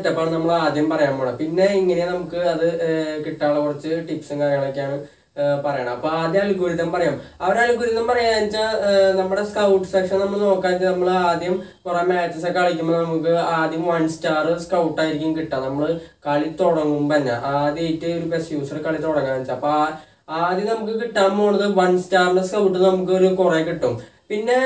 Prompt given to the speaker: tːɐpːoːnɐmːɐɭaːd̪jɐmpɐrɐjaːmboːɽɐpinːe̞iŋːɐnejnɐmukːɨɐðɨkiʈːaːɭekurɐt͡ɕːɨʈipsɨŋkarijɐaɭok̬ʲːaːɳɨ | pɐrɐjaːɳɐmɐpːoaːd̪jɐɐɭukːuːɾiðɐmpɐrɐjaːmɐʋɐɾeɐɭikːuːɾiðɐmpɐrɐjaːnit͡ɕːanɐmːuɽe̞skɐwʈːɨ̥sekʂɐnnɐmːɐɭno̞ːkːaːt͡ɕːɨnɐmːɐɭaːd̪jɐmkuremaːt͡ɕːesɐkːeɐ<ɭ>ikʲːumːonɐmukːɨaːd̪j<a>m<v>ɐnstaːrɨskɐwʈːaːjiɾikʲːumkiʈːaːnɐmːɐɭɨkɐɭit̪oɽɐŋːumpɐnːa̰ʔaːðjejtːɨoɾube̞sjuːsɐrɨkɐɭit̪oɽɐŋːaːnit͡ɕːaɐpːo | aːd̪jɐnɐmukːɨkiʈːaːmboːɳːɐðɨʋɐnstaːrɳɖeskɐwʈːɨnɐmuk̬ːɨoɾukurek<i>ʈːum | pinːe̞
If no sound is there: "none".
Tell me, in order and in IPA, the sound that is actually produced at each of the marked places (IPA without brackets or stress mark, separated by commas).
ɭ, ɐ, ʋ, i